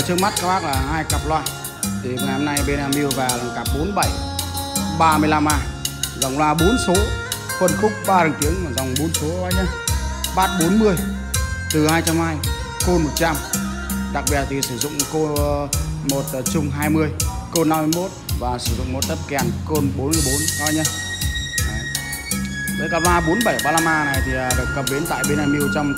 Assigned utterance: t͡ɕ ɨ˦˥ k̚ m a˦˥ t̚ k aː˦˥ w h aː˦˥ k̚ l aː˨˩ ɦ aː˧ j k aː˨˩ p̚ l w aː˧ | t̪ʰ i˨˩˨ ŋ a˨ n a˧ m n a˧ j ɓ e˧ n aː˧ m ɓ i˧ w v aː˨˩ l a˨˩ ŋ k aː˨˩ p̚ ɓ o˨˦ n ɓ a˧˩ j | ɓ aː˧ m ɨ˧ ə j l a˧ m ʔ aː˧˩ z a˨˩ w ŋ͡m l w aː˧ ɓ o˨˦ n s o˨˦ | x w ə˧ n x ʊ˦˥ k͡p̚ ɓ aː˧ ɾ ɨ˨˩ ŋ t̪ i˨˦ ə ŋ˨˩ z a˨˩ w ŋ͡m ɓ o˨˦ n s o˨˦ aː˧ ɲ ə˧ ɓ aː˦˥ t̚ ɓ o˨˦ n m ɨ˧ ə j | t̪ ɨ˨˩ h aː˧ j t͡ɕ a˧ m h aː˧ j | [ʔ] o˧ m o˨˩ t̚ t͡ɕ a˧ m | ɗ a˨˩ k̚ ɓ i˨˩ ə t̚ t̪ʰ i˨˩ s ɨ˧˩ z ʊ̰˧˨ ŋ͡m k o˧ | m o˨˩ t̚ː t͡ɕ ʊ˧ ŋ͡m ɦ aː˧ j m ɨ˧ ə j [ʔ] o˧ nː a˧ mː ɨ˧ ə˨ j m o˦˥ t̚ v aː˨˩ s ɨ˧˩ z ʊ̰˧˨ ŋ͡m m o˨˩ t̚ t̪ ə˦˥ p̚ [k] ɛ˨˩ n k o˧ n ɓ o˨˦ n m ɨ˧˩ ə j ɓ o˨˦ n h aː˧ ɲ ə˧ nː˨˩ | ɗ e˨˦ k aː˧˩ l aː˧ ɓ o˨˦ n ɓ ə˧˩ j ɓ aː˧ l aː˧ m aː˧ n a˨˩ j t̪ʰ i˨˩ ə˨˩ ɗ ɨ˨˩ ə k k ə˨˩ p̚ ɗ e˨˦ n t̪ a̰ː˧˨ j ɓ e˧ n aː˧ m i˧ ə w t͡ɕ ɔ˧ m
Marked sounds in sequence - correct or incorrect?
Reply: incorrect: k, incorrect: k, correct

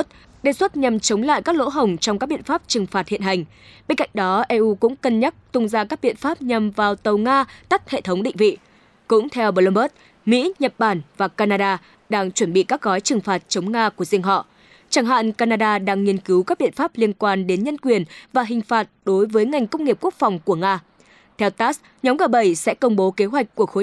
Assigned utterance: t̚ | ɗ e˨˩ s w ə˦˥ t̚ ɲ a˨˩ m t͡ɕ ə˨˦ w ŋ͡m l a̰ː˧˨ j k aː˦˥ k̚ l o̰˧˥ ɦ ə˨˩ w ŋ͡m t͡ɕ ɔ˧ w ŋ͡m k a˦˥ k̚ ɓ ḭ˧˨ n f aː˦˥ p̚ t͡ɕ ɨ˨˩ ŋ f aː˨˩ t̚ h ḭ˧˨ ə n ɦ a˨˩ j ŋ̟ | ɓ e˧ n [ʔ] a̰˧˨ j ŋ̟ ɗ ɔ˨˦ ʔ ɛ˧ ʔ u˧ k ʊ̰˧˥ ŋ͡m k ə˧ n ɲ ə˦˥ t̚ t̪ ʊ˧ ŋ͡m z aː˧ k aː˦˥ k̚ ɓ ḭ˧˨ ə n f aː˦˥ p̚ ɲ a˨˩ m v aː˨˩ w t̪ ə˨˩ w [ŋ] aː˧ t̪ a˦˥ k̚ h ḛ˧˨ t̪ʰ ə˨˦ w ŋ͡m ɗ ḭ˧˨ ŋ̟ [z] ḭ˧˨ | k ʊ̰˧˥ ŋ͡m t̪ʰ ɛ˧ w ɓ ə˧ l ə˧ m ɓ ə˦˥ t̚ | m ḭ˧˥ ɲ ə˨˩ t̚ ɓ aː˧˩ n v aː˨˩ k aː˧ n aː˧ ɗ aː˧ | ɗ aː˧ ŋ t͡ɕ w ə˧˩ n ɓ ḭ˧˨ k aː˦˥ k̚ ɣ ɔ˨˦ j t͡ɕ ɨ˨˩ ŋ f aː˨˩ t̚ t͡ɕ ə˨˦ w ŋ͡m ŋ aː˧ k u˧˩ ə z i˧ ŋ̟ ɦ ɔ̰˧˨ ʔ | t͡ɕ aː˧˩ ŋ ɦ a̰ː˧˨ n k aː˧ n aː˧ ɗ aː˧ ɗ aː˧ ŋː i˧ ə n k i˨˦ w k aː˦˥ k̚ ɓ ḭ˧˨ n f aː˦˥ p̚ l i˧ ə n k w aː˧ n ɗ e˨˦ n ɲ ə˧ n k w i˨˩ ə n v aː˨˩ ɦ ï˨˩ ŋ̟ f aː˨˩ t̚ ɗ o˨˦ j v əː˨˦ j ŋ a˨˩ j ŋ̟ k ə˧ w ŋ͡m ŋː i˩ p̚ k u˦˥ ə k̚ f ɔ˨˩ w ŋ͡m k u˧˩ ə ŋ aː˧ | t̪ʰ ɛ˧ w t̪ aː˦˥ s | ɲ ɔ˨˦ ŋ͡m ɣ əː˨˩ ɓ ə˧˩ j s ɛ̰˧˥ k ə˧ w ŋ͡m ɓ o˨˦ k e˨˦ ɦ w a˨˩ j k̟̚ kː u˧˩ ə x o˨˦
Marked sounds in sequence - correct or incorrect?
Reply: incorrect: k, correct, incorrect: v

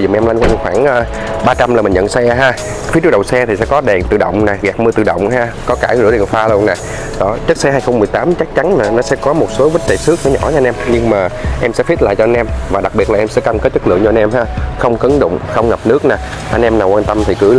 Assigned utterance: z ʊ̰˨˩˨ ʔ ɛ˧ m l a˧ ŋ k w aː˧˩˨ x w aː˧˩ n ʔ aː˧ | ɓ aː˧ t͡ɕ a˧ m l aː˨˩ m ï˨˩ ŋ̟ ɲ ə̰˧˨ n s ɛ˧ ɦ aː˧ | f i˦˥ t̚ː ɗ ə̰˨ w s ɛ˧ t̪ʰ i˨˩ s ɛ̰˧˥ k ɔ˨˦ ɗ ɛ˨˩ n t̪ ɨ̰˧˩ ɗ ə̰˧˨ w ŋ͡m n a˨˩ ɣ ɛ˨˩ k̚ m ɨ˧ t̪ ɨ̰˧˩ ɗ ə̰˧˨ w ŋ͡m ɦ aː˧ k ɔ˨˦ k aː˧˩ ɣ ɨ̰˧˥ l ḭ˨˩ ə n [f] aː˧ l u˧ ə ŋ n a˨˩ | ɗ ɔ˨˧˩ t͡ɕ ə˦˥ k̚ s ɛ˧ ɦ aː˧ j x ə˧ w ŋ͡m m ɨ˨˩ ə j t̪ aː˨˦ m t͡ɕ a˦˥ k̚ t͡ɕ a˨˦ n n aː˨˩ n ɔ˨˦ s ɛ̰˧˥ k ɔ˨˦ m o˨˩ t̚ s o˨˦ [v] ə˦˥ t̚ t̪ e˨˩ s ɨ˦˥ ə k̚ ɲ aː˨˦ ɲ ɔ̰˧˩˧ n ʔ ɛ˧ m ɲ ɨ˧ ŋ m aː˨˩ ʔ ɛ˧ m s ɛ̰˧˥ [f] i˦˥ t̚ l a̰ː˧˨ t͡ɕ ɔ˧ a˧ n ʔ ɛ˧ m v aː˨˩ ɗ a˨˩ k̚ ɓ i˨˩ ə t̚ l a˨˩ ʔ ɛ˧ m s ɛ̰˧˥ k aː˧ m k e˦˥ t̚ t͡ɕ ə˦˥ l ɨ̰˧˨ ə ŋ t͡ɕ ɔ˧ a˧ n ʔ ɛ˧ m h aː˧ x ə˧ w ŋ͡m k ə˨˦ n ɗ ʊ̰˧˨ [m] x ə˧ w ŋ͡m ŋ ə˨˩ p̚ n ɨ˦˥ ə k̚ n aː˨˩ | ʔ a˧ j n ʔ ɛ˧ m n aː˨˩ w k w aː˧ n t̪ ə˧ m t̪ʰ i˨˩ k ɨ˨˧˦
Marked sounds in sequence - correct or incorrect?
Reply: correct, correct, correct, incorrect: ŋ͡m

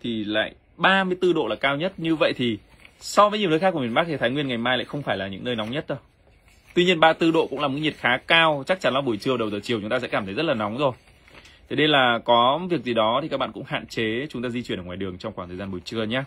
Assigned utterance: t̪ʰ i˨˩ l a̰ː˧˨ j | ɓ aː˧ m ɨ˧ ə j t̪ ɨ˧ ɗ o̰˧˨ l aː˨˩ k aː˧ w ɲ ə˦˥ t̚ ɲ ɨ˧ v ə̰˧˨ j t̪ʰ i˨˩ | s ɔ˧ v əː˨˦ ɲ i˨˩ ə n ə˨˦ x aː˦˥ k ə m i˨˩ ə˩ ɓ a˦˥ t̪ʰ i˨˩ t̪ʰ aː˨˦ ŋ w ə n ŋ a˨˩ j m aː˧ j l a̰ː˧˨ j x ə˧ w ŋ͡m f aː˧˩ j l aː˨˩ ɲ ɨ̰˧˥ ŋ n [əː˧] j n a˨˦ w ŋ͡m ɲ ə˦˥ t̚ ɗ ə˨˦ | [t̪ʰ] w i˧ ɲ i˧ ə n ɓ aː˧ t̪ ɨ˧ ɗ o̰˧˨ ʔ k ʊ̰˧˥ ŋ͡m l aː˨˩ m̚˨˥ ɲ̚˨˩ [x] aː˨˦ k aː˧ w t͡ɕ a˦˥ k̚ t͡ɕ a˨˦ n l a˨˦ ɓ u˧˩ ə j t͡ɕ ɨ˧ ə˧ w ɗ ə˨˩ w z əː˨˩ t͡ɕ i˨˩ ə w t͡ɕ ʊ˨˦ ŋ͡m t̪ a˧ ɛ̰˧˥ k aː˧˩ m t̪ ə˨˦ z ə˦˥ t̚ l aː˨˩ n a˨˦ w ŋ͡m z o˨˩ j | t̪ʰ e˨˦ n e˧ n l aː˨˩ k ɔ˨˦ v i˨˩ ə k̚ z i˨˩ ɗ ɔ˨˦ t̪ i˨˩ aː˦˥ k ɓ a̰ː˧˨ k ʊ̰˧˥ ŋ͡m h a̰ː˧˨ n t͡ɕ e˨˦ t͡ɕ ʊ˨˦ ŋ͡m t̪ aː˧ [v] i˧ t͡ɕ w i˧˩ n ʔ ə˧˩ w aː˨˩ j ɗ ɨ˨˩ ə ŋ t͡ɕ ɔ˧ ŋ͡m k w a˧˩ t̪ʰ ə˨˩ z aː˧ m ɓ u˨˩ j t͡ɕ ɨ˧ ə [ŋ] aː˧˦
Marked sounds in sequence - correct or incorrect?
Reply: correct, incorrect: t̪, correct, incorrect: z, incorrect: ɲ

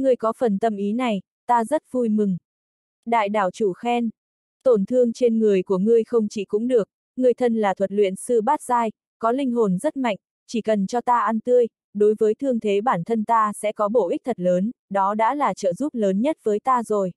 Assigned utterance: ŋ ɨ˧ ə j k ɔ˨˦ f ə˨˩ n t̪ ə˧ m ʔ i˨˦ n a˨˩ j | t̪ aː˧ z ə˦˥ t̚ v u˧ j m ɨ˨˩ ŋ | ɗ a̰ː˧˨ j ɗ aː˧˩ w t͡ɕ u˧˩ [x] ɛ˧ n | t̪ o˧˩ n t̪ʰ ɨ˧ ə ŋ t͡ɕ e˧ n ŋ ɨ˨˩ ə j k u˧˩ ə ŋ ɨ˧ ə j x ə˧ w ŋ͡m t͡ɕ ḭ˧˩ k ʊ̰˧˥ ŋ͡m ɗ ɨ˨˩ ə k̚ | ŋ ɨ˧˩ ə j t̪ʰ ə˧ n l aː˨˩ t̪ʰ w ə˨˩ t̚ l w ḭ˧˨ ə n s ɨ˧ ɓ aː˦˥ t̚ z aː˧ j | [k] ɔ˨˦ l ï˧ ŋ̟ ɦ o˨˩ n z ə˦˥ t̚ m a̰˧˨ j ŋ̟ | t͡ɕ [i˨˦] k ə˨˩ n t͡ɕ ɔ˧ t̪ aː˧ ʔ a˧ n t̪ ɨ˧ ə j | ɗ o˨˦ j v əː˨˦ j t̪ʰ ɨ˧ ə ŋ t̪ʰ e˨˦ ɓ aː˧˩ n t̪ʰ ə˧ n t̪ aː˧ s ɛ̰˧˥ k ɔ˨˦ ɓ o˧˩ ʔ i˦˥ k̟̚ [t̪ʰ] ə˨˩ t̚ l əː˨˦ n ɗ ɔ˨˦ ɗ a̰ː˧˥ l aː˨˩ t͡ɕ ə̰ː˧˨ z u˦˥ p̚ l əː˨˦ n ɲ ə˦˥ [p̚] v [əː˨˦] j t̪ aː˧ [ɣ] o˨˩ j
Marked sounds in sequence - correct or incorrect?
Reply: correct, correct, incorrect: i˧˩, correct, incorrect: t̚, correct, incorrect: z

